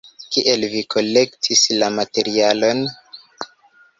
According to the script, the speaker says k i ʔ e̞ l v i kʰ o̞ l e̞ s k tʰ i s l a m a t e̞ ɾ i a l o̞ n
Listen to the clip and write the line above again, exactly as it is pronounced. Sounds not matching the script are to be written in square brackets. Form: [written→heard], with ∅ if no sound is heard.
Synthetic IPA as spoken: k i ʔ e̞ l v i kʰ o̞ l e̞ [s→∅] k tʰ i s l a m a t e̞ ɾ i a l o̞ n